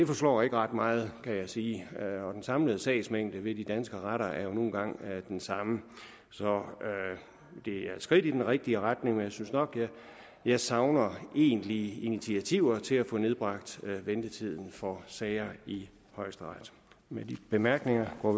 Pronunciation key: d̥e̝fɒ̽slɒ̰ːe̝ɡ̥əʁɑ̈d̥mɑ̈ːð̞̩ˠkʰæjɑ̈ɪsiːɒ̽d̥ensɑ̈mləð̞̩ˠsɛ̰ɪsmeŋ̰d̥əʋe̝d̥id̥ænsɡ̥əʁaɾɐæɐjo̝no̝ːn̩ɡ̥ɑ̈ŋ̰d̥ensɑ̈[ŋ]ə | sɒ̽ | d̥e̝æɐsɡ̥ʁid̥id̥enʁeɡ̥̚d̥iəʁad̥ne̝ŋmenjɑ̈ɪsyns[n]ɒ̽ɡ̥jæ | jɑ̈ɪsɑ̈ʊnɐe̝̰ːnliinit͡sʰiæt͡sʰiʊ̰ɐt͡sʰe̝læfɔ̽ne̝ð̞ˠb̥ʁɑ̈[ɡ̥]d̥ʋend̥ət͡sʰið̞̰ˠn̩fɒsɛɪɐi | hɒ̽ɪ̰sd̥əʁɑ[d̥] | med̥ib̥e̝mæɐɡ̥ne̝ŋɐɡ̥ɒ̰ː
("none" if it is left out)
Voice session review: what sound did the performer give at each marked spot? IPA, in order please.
m, n, ɡ̥, d̥

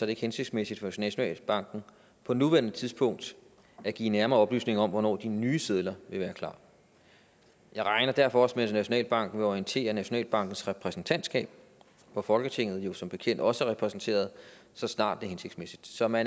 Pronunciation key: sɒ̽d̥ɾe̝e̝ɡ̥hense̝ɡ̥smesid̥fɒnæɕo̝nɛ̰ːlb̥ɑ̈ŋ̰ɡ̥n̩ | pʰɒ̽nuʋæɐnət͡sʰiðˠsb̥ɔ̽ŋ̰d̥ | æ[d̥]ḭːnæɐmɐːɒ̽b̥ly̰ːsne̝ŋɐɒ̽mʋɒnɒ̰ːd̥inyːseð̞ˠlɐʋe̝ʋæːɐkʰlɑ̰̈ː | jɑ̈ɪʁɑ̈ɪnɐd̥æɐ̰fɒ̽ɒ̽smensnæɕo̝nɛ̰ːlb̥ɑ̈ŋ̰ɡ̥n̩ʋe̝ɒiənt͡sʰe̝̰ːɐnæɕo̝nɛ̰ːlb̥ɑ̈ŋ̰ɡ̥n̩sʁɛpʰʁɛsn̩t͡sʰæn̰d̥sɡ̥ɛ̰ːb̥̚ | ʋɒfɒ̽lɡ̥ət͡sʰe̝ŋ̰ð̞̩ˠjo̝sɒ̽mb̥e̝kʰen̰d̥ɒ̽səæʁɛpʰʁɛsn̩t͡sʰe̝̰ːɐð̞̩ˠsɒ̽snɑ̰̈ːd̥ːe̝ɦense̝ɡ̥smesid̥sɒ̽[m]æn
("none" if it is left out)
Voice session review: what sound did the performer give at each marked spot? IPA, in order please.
ɡ̥, m

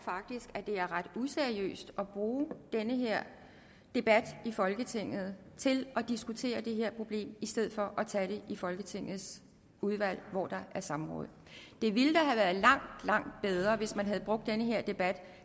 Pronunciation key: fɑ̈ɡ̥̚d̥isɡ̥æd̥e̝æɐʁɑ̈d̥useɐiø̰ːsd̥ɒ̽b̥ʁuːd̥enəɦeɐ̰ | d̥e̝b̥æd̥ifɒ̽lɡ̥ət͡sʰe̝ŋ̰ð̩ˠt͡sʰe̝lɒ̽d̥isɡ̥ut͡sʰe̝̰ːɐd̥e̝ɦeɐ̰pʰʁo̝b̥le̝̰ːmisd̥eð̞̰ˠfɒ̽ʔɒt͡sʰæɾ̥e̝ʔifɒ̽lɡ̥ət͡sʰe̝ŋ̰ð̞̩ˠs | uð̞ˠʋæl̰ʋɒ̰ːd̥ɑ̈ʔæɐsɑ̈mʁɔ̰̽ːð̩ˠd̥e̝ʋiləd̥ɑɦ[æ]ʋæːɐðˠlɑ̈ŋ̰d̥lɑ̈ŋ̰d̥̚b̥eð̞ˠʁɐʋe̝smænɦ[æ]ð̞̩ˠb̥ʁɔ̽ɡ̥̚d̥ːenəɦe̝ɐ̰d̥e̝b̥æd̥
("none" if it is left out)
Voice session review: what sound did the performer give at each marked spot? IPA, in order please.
æ, æ

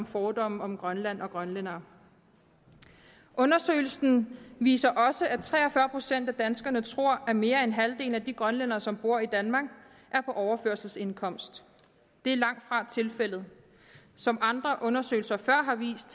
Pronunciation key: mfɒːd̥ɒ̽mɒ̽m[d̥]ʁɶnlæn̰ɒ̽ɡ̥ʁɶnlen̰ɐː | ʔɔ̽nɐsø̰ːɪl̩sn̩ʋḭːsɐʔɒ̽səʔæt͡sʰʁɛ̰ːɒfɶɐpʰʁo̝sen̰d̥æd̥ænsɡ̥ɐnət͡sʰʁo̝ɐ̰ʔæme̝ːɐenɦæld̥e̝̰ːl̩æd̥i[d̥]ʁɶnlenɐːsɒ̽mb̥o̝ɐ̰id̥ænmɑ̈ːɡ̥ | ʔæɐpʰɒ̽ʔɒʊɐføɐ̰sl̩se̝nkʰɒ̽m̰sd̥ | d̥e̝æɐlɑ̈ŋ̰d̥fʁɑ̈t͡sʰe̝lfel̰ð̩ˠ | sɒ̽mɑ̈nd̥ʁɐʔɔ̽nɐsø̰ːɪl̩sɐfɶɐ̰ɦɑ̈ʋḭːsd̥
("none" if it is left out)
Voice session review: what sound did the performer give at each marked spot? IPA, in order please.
ɡ̥, ɡ̥

